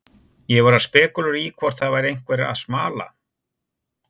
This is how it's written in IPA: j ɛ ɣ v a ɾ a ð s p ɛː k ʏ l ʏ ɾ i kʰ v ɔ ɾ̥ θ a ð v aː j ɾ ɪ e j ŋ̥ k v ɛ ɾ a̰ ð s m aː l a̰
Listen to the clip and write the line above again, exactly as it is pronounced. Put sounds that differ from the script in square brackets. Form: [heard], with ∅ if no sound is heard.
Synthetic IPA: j ɛ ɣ v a ɾ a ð s p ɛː k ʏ l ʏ ɾ i kʰ v ɔ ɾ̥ θ a ð v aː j ɾ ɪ e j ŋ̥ k v ɛ ɾ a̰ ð s m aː l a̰